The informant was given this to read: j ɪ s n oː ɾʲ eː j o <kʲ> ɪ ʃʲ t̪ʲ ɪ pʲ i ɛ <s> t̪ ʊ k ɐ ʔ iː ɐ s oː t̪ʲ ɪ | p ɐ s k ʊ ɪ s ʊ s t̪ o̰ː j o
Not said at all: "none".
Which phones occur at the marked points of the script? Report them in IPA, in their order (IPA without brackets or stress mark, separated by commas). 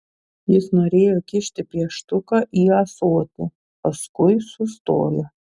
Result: kʲ, ʃ